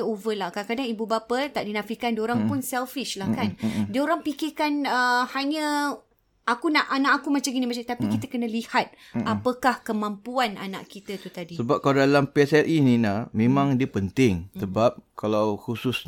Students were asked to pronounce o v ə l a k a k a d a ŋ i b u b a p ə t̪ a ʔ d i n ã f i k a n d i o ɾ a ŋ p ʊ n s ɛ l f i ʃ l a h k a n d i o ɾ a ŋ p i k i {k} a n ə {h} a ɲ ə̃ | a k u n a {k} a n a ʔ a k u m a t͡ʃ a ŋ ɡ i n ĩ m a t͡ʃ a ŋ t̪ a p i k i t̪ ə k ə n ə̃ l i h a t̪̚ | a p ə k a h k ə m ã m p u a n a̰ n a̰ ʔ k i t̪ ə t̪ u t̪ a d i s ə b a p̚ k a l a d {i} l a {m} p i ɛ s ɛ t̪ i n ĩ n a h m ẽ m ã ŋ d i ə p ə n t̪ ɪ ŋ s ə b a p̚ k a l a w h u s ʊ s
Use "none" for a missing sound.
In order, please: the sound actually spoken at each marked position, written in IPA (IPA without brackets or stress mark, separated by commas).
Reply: k, h, ʔ, a, m